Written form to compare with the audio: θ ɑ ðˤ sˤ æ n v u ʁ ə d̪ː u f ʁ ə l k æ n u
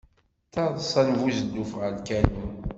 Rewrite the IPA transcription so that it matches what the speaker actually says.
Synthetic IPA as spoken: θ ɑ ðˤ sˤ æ n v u z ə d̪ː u f ʁ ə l k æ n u